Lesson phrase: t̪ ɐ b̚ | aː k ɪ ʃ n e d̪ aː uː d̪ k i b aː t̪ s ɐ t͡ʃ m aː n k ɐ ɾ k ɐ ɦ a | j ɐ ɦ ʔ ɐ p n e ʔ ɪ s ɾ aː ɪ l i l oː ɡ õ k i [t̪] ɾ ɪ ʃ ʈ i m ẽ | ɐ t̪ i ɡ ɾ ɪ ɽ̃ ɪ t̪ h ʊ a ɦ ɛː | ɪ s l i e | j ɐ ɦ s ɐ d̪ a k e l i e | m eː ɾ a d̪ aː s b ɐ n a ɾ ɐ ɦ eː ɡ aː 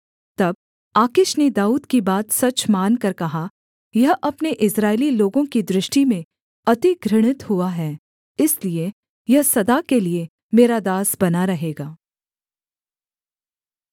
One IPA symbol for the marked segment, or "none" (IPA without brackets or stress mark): d̪